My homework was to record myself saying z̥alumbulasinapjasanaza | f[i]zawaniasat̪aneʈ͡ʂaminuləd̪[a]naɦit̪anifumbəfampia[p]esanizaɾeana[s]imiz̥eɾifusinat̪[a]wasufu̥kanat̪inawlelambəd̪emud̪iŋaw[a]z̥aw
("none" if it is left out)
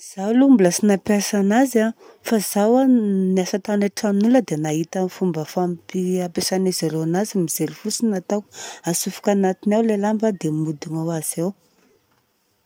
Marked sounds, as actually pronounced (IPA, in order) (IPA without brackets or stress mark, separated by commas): a, e, p, z, a, a